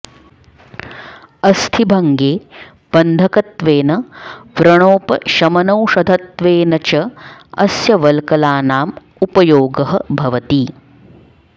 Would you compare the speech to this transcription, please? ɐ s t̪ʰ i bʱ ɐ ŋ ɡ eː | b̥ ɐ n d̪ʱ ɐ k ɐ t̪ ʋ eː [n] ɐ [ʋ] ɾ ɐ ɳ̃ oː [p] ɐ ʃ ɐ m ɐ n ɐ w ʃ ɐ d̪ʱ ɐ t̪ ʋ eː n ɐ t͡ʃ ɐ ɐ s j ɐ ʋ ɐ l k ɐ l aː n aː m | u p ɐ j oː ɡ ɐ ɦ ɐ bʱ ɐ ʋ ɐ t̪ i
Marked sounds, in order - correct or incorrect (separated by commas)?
correct, correct, correct